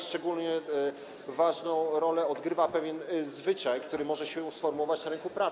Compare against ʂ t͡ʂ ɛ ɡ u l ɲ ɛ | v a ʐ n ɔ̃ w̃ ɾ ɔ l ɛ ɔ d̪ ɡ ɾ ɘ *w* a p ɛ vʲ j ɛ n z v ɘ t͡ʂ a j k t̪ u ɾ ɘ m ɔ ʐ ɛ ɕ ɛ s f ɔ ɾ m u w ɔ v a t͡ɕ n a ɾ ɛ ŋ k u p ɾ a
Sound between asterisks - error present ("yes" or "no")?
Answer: yes